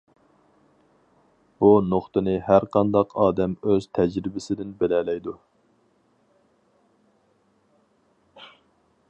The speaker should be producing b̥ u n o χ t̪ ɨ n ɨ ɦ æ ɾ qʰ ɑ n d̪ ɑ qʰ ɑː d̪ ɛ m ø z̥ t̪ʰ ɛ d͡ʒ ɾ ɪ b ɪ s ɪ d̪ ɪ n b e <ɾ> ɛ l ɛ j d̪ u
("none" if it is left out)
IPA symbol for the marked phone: l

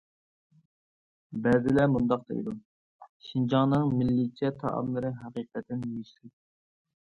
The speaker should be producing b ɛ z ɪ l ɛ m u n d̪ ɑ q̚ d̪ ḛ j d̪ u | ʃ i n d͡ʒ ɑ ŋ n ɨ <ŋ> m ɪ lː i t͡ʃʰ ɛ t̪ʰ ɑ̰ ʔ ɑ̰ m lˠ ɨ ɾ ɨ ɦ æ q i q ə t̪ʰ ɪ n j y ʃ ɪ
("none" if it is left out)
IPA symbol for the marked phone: ŋ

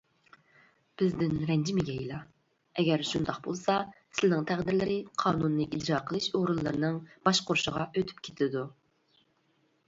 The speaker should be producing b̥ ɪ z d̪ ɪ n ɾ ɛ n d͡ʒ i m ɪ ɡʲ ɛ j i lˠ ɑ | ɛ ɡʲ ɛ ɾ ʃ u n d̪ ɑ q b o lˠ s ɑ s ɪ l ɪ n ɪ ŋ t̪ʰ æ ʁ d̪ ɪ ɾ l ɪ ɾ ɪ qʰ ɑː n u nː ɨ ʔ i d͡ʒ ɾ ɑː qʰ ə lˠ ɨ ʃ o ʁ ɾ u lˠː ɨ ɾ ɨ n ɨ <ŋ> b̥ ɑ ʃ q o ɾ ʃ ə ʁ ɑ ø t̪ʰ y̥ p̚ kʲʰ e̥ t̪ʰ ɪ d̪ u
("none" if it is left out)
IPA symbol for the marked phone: ŋ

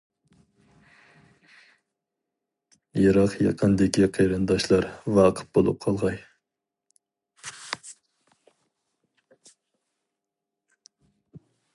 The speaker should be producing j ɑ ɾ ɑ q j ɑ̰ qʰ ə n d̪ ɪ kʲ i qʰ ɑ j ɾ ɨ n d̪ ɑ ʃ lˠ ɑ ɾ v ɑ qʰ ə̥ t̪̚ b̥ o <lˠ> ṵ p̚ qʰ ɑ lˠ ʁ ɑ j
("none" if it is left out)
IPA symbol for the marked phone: lˠ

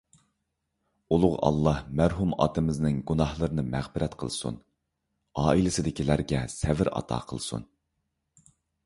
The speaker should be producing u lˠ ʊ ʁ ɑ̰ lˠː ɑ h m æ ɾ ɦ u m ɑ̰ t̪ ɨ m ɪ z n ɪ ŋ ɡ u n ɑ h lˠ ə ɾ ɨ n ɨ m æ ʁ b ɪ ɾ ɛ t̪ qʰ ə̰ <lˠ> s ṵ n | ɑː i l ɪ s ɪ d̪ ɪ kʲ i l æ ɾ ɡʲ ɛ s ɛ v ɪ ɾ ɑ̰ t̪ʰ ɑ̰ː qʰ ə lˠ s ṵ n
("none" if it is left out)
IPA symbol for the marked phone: lˠ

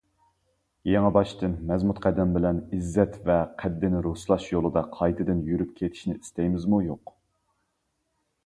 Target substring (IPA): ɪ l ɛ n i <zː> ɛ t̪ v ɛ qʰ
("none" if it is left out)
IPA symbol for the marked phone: zː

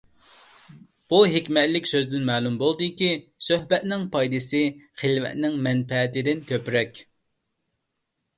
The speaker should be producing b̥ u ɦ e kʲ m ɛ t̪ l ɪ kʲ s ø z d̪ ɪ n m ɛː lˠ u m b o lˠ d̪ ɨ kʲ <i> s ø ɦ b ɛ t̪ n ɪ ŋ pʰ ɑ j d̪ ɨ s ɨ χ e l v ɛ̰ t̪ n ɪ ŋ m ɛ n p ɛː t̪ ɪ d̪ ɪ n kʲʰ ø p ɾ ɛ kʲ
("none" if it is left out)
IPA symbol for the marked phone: i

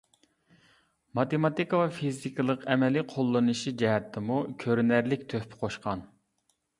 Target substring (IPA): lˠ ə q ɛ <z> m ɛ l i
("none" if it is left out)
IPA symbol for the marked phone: none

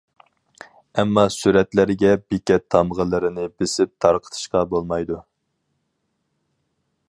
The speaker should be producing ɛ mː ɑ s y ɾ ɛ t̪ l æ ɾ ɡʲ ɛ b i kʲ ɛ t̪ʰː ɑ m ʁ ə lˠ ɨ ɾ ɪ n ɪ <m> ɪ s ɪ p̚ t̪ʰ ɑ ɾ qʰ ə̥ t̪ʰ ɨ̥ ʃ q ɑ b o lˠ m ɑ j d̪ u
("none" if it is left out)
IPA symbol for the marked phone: b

